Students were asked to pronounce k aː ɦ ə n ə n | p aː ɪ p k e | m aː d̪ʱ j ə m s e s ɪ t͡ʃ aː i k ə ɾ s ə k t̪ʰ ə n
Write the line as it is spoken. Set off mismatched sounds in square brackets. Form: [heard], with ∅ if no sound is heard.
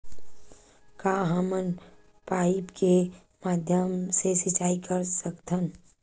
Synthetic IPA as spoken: k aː ɦ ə [m] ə n | p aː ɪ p k e | m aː d̪ʱ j ə m s e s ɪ t͡ʃ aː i k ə ɾ s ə k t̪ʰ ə n

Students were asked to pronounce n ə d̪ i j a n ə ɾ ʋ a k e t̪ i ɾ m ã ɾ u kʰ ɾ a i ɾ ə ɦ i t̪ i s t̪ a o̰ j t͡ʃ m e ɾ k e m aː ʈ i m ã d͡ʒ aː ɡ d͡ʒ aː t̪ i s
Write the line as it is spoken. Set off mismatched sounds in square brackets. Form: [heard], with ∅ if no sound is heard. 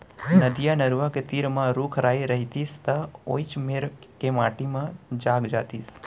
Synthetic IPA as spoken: n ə d̪ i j a n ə ɾ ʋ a k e t̪ i ɾ m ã ɾ u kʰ ɾ a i ɾ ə ɦ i t̪ i s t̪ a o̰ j t͡ʃ m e ɾ k e m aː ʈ i m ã d͡ʒ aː ɡ d͡ʒ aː t̪ i s

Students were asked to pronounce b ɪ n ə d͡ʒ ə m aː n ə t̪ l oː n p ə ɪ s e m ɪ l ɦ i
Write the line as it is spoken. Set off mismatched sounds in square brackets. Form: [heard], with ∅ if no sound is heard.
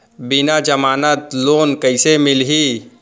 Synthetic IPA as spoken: b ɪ n [a] d͡ʒ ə m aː n ə t̪ l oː n [k] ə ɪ s e m ɪ l ɦ i

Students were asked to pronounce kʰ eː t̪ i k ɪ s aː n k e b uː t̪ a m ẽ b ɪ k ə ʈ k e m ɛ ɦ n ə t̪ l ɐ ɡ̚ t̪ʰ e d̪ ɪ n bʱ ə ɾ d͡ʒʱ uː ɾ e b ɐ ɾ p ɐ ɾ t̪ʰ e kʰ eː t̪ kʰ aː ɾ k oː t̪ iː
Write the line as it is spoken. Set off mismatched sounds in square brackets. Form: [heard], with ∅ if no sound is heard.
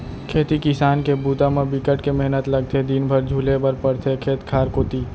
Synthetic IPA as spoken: kʰ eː t̪ i k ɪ s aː n k e b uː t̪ a m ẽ b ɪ k ə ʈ k e m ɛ ɦ n ə t̪ l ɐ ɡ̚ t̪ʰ e d̪ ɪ n bʱ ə ɾ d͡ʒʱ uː [l] e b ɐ ɾ p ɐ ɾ t̪ʰ e kʰ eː t̪ kʰ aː ɾ k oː t̪ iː

